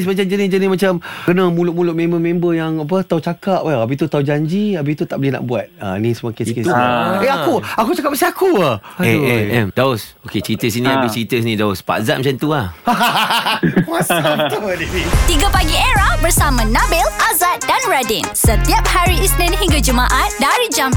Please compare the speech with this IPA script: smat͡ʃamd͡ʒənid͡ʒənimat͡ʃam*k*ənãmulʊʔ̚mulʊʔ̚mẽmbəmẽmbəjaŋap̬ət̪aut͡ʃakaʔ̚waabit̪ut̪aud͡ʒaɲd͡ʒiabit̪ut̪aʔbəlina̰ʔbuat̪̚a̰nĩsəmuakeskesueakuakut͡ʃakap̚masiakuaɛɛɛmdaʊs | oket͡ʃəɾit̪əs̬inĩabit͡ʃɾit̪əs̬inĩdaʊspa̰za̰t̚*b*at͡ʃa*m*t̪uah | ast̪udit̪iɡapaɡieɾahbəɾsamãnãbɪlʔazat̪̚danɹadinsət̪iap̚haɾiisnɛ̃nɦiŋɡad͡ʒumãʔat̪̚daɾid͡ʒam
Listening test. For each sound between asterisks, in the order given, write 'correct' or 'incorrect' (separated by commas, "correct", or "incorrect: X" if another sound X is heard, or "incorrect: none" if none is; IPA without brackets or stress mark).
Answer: correct, incorrect: m, incorrect: n